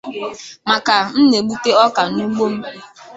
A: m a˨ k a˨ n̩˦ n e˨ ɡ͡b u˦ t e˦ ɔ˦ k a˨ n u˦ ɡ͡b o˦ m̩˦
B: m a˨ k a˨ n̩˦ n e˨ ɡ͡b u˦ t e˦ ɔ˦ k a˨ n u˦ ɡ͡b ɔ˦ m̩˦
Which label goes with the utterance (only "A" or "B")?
A